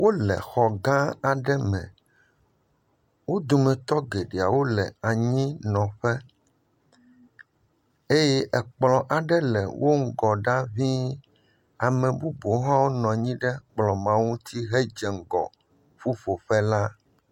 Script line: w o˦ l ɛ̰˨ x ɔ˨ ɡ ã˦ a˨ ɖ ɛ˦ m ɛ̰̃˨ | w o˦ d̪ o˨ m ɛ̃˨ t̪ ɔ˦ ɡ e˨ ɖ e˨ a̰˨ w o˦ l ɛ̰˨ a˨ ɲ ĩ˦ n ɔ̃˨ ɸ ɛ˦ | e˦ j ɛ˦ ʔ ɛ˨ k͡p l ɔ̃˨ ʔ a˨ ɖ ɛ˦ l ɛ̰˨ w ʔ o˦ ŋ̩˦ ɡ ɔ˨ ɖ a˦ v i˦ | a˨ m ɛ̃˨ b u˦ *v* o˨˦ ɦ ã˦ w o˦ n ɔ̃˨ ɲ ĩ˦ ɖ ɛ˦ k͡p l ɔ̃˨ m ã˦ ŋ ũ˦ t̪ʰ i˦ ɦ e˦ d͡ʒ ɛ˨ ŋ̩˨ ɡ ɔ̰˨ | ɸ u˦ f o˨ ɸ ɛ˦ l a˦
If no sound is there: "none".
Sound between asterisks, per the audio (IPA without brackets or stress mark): b